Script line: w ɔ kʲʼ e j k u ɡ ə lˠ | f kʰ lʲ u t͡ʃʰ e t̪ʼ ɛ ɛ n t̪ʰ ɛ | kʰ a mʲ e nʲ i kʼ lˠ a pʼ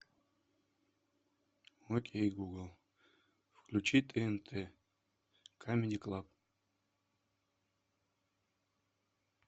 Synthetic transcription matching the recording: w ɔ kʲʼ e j ɡ u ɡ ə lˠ | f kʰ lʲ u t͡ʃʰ i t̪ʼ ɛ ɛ n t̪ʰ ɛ | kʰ a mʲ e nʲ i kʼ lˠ a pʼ